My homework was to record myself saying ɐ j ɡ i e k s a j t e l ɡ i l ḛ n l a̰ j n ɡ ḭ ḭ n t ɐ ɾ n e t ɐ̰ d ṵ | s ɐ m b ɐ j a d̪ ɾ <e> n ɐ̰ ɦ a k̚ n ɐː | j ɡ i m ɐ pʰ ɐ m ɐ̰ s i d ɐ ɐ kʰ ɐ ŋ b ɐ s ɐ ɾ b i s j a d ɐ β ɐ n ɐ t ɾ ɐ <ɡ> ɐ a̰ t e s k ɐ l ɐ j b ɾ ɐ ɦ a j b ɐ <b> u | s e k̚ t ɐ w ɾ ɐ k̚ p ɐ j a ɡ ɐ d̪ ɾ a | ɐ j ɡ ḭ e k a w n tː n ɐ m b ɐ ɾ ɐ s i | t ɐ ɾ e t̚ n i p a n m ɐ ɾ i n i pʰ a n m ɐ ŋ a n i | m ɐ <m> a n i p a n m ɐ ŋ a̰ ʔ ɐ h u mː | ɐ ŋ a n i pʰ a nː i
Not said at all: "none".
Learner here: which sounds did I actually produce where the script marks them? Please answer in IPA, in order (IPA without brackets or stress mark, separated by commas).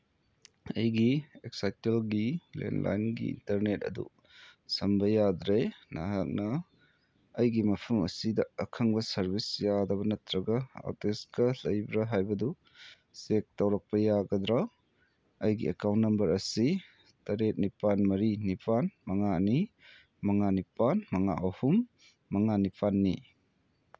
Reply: e, ɡ, d, ŋ